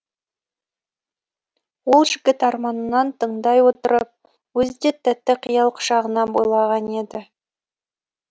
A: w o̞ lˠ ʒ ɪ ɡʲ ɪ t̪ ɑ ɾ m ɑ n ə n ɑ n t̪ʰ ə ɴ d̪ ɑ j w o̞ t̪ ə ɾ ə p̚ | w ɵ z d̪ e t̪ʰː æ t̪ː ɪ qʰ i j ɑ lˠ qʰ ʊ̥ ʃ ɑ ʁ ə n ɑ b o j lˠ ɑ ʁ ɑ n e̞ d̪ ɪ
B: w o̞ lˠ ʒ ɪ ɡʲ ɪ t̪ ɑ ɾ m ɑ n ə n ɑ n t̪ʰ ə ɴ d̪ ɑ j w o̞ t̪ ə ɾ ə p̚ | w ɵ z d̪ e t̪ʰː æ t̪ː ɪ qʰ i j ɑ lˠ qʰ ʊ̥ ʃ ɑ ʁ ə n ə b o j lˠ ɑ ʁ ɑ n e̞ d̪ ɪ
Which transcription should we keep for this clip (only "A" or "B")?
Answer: A